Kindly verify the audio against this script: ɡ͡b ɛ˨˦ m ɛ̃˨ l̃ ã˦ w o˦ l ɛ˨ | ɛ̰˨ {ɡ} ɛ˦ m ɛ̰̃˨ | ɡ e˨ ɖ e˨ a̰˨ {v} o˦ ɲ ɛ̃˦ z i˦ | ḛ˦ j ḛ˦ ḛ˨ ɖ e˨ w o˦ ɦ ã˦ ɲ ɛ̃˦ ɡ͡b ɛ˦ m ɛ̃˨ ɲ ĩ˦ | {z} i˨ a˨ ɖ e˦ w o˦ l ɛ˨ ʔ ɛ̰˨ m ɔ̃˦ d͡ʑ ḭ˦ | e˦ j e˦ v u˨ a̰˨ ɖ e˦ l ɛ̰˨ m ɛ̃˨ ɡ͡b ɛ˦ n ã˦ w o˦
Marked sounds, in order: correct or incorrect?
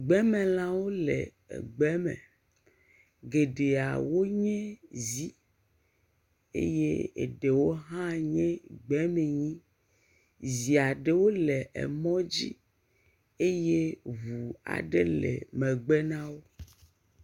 incorrect: ɡ͡b, incorrect: w, correct

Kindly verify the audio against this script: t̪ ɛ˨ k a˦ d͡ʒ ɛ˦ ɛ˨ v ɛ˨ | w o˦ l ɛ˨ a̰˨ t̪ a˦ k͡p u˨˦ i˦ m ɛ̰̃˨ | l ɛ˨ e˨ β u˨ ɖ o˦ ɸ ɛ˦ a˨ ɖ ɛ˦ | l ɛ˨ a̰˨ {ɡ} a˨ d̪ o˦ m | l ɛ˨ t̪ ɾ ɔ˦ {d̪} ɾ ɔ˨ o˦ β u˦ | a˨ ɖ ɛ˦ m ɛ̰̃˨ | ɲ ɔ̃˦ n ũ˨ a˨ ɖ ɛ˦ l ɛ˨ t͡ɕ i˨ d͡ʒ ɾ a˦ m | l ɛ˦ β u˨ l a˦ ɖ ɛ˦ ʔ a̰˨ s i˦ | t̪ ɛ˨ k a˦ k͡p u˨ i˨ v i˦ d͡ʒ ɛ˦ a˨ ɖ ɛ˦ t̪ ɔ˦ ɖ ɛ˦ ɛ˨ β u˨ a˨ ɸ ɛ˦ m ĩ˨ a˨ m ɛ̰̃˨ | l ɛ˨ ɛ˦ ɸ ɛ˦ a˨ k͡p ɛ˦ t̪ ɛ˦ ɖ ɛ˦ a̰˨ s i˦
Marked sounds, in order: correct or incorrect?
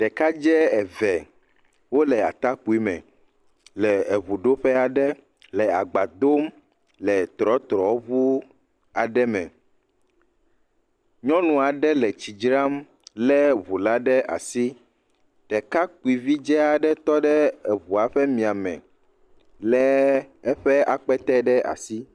incorrect: ɡ͡b, incorrect: t̪

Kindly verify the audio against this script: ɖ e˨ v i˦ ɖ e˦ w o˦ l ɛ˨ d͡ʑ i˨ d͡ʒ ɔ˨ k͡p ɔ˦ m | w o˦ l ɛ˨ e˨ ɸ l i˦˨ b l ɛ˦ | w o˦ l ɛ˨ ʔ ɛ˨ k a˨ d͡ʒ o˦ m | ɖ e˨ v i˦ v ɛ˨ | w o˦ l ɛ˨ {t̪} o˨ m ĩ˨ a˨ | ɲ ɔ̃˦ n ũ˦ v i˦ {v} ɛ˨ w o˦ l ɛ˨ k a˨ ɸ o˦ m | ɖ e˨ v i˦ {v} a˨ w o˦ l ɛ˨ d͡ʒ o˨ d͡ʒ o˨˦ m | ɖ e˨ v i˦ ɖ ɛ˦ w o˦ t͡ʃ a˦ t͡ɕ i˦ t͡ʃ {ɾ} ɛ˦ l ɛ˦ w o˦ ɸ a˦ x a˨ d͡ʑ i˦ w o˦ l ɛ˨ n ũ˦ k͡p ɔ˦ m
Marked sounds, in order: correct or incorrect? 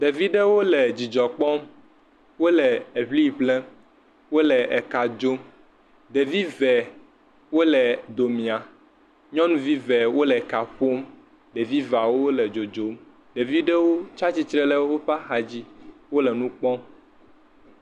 incorrect: d̪, correct, correct, correct

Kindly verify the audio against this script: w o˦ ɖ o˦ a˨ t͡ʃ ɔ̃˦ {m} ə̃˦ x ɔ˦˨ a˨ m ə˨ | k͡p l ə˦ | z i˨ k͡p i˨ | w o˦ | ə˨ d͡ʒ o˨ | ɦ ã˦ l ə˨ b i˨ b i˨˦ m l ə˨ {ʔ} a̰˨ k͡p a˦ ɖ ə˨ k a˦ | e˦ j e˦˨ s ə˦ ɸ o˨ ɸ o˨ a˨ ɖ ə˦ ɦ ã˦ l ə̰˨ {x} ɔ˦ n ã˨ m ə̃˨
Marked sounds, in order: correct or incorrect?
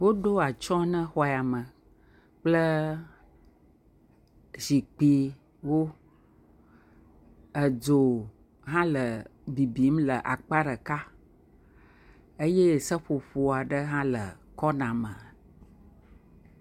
incorrect: n, correct, incorrect: k

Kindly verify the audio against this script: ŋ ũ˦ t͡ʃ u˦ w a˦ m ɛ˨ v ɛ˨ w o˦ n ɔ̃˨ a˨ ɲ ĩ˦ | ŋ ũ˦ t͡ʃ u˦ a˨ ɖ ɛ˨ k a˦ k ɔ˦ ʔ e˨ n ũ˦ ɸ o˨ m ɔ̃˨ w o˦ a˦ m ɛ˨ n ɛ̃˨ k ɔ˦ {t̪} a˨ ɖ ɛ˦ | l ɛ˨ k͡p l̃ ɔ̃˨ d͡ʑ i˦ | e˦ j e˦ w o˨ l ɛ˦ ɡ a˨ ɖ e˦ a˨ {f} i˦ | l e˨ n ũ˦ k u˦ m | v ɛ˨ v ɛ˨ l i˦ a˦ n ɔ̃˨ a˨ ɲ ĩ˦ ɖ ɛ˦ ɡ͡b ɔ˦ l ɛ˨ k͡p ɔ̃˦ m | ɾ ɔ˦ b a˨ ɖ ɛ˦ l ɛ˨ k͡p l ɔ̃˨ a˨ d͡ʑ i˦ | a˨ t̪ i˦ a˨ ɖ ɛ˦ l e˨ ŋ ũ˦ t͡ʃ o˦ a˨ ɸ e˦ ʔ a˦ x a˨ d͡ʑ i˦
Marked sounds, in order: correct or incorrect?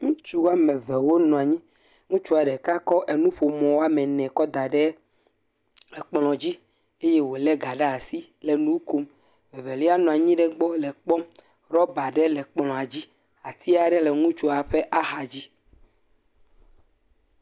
incorrect: d̪, incorrect: s

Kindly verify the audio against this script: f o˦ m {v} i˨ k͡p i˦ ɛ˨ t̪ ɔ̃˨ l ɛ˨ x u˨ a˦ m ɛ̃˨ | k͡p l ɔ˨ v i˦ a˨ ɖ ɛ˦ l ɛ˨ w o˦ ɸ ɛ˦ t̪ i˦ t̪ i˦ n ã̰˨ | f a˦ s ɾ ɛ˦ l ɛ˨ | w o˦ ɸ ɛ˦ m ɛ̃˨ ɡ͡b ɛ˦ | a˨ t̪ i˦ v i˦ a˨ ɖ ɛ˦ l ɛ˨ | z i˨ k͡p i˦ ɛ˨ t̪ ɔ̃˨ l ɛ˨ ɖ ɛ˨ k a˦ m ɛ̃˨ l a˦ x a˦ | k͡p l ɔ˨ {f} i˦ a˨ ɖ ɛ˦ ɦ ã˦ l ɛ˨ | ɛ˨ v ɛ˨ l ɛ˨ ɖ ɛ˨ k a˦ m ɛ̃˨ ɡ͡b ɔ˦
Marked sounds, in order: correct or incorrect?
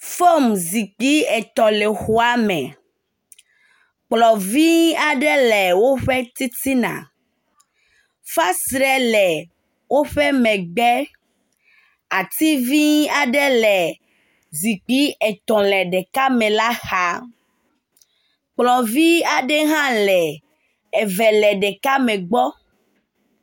incorrect: z, incorrect: v

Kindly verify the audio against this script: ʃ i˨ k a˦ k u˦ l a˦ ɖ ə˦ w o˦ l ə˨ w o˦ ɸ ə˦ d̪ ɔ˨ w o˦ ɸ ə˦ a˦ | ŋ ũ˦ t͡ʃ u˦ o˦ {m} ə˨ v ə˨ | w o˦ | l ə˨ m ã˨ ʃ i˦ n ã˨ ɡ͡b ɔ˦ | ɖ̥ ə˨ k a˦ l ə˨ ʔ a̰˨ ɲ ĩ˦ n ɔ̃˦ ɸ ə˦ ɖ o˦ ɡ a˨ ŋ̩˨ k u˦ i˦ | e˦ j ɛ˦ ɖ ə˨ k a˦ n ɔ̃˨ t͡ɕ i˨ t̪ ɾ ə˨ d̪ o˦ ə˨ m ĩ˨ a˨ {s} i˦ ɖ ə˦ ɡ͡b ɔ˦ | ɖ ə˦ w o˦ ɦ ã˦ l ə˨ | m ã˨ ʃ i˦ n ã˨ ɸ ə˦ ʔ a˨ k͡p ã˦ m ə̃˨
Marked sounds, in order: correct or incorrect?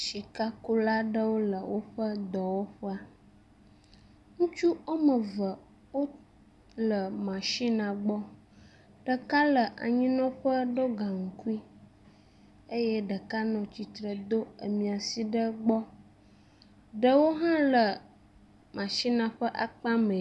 correct, correct

